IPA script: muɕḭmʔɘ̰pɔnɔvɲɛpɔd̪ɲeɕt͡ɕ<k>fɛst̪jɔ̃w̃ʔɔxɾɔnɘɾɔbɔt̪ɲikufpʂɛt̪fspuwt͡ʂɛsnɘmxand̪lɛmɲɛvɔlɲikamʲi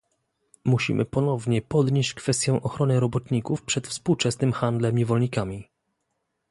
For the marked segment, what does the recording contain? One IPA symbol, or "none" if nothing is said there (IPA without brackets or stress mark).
k